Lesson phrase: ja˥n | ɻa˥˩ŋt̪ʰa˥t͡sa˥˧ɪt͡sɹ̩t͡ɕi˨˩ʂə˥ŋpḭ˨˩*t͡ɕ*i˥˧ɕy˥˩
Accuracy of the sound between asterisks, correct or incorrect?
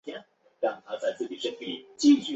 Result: correct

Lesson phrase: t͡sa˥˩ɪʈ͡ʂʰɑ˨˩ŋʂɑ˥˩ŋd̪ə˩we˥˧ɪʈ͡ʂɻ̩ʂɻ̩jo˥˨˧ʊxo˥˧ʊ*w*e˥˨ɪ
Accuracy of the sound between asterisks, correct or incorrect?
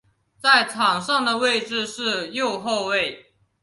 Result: correct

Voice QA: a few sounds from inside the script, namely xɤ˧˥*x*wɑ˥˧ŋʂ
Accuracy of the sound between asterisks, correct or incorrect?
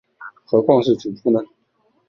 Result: incorrect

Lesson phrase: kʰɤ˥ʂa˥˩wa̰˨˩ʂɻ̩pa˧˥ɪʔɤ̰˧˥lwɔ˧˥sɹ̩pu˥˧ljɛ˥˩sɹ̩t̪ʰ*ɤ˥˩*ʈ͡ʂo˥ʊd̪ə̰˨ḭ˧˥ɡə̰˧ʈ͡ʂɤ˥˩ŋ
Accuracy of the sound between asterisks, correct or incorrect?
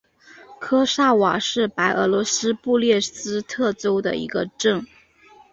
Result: correct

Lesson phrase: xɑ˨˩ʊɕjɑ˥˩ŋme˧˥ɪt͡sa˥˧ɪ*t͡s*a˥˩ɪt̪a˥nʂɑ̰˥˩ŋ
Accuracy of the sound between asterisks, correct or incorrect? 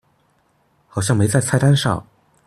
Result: incorrect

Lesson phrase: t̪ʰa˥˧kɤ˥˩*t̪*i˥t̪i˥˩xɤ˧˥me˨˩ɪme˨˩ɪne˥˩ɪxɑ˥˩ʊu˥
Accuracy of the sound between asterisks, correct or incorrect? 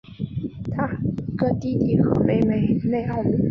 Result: correct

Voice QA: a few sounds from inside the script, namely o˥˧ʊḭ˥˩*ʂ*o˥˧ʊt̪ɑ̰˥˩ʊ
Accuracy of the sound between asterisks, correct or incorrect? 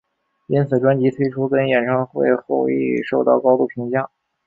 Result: correct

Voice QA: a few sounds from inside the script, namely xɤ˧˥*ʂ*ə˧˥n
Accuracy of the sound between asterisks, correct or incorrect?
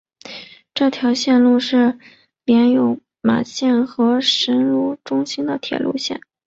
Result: correct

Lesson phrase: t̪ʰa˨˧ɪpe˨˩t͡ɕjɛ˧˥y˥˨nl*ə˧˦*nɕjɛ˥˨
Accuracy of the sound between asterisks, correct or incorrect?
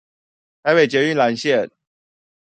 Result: incorrect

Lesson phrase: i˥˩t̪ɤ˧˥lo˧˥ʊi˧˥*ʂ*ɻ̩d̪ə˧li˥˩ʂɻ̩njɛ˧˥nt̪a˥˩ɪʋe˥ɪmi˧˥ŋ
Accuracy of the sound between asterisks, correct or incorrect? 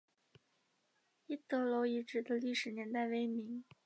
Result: incorrect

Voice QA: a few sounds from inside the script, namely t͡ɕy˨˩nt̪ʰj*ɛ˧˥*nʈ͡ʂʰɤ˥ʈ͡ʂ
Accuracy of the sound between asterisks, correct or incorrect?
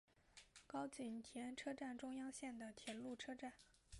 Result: correct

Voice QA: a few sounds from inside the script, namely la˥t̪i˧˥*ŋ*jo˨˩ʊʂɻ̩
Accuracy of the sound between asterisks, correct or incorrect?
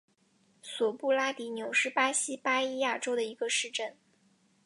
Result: incorrect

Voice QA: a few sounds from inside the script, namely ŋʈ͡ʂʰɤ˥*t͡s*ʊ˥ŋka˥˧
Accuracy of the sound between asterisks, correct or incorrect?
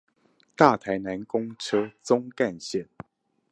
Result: correct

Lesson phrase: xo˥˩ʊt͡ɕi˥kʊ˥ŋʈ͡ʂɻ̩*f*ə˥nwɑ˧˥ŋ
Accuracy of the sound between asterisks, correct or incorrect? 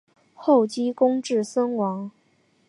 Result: incorrect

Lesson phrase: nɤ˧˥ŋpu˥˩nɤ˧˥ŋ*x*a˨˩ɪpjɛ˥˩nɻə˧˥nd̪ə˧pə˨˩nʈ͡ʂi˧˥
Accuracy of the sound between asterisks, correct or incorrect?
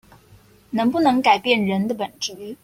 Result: incorrect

